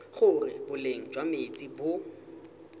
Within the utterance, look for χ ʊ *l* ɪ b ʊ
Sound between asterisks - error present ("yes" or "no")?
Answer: yes